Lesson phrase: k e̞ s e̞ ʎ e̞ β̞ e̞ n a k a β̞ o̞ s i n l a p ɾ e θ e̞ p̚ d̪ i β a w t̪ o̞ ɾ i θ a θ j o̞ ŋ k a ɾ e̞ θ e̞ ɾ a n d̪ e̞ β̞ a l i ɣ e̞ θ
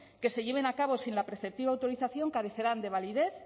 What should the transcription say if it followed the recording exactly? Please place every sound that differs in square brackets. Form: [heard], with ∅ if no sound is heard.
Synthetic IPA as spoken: k e̞ s e̞ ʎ e̞ β̞ e̞ n a k a β̞ o̞ s i n l a p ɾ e θ e̞ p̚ [t̪] i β a w t̪ o̞ ɾ i θ a θ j o̞ ŋ k a ɾ e̞ θ e̞ ɾ a n d̪ e̞ β̞ a l i [ð] e̞ θ